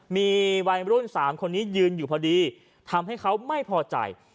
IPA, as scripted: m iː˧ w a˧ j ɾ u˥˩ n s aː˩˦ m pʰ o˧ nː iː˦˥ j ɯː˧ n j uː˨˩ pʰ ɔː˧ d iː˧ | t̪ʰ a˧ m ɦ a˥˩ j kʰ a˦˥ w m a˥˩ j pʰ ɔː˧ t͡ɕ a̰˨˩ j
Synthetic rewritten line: m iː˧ w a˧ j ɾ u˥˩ n s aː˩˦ m kʰ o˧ nː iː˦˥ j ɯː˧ n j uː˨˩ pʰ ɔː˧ d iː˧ | t̪ʰ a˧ m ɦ a˥˩ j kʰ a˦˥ w m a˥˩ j pʰ ɔː˧ t͡ɕ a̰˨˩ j